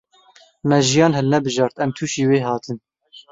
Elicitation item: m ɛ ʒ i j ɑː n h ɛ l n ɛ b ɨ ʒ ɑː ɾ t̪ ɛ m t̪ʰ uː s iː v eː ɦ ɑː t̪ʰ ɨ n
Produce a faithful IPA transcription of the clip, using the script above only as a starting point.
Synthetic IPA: m ɛ ʒ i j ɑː n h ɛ l n ɛ b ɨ ʒ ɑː ɾ t̪ ɛ m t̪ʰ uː ʃ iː w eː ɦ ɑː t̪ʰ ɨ n